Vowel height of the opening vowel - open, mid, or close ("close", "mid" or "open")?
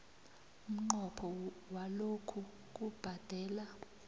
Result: close